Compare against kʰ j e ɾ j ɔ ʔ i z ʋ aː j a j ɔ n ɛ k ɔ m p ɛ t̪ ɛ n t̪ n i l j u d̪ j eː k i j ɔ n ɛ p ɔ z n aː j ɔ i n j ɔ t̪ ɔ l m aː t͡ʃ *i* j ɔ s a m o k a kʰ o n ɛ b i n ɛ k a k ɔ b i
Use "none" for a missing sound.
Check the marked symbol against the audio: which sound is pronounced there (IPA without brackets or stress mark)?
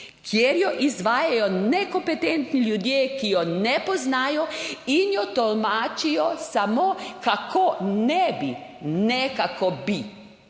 i